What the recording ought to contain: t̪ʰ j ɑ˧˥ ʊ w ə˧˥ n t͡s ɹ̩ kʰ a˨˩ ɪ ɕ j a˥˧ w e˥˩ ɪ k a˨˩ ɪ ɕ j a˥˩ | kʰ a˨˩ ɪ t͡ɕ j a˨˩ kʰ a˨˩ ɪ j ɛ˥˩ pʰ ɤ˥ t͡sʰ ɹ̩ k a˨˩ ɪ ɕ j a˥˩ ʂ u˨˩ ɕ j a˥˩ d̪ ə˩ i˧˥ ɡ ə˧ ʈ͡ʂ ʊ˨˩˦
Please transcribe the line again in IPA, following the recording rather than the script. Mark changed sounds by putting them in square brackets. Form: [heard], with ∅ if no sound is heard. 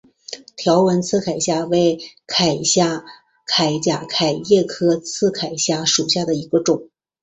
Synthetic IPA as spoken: t̪ʰ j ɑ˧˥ ʊ w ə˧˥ n [t͡sʰ] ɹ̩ kʰ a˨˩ ɪ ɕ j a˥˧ w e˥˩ ɪ [kʰ] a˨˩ ɪ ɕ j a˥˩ | kʰ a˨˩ ɪ t͡ɕ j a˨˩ kʰ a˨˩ ɪ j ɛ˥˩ [kʰ] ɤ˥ t͡sʰ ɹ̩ [kʰ] a˨˩ ɪ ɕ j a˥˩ ʂ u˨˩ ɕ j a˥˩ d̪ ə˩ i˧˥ ɡ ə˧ ʈ͡ʂ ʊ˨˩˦